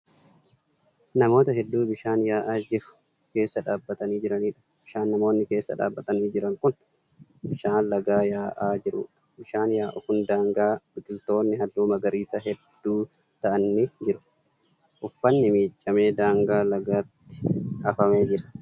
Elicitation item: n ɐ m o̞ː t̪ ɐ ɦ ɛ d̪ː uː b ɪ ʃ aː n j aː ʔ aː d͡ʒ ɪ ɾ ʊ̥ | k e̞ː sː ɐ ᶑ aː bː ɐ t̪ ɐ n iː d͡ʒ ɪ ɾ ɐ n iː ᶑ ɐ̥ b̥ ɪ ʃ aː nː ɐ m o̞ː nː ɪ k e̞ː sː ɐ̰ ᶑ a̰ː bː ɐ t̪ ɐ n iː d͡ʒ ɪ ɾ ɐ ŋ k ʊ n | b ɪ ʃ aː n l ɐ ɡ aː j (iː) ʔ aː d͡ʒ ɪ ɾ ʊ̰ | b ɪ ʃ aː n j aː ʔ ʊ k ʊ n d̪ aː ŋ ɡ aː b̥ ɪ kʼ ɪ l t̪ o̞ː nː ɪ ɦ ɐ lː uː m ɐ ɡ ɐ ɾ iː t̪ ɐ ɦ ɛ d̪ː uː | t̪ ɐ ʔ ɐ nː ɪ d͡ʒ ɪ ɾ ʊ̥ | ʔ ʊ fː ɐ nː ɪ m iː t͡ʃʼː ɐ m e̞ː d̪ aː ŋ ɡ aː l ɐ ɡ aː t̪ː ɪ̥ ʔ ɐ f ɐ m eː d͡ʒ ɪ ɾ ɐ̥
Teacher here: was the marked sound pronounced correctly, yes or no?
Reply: no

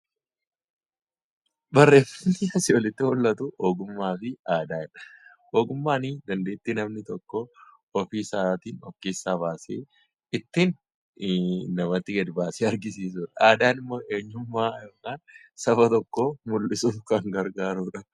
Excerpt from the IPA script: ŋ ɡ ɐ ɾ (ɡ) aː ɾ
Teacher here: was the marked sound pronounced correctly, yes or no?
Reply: yes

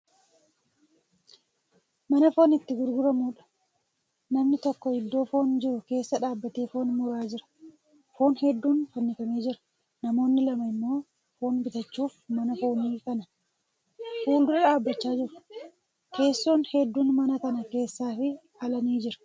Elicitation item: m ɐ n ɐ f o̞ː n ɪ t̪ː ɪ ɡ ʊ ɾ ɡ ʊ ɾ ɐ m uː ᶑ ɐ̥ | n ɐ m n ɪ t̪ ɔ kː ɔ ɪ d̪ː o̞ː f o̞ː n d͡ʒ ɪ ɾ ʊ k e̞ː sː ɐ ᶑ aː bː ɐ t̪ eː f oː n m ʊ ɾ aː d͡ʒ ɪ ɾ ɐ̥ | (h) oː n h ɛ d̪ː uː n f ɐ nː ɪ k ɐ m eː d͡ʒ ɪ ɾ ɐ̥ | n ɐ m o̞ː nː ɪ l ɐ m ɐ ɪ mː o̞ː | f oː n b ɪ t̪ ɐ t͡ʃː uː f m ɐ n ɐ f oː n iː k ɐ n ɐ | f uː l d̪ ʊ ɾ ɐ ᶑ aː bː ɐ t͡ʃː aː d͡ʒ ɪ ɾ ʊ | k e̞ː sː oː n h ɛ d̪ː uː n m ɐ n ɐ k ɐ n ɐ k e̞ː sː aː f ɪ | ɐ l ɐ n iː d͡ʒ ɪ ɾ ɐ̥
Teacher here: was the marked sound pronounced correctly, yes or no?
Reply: no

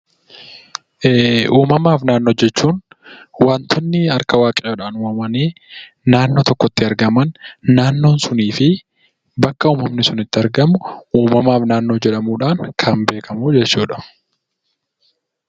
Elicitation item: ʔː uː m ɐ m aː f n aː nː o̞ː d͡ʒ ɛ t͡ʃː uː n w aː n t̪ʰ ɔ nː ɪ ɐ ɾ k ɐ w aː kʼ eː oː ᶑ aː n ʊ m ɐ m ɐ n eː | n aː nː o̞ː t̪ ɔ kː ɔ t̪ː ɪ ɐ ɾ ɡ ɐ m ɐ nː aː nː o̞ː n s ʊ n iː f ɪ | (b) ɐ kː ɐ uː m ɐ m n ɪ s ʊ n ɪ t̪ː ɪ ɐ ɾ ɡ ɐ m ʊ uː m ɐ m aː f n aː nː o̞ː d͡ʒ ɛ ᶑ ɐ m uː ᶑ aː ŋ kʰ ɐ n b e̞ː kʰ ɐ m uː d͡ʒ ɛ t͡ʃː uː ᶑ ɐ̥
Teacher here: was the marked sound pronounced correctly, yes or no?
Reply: yes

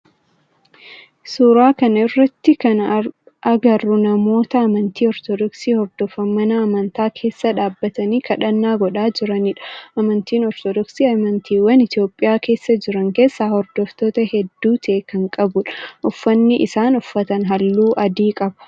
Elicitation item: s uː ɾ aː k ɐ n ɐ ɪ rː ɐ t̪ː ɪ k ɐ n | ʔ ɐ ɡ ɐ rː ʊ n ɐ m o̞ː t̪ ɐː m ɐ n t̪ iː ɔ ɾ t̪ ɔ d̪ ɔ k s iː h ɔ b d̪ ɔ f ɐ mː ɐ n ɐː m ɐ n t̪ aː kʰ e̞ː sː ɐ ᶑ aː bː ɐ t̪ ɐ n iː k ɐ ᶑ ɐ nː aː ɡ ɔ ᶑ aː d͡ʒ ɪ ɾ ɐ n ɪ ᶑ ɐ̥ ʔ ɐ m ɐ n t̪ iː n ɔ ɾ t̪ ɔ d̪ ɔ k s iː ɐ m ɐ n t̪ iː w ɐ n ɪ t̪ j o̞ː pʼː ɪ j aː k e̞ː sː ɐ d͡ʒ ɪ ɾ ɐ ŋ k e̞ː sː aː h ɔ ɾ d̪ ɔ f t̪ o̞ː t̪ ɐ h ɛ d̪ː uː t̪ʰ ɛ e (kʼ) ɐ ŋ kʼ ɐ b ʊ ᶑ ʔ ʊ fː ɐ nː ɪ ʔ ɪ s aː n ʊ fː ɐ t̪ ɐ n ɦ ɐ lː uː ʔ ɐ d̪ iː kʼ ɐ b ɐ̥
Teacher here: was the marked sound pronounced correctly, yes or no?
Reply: no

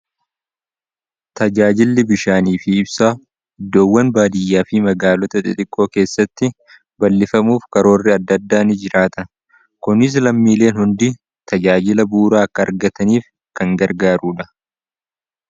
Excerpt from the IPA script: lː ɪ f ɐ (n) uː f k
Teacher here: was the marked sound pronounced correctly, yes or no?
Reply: no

